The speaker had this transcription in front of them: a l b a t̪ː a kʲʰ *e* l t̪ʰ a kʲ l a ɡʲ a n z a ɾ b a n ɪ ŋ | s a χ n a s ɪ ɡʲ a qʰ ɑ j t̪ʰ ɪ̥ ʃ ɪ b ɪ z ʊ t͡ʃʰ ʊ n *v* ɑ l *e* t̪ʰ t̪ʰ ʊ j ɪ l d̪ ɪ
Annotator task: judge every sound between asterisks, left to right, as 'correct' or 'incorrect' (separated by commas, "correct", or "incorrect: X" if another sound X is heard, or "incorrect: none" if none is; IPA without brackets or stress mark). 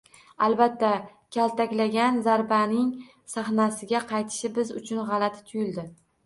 incorrect: a, incorrect: ʁ, incorrect: a